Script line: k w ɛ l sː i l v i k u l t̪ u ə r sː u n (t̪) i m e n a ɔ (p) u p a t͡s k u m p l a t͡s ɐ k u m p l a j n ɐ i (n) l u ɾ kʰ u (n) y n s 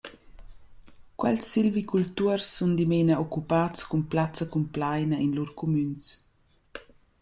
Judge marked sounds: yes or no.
no, no, yes, no

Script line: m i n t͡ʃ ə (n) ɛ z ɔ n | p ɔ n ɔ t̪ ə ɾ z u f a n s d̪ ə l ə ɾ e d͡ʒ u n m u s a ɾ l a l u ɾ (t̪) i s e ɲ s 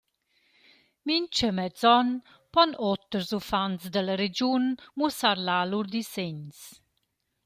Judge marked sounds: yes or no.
no, no

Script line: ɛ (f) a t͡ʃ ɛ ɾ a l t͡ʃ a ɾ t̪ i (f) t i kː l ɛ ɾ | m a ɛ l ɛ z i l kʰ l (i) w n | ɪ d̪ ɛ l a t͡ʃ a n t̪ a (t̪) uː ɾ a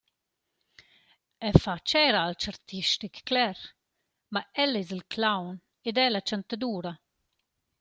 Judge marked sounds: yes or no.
yes, no, no, no

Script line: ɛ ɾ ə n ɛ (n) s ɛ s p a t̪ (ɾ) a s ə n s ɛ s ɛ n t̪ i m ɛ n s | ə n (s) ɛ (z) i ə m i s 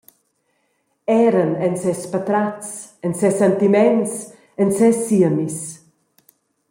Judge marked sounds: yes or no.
yes, yes, yes, no

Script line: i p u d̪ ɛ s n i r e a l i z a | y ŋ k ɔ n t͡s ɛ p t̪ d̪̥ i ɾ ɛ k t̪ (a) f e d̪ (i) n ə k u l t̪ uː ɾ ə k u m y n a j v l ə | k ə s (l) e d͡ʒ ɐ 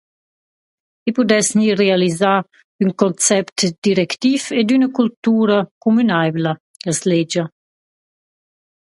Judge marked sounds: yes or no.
no, no, yes

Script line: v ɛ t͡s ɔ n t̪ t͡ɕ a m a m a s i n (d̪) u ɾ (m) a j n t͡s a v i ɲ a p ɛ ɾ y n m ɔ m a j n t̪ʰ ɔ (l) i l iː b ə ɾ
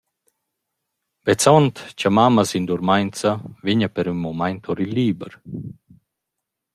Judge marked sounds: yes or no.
yes, yes, no

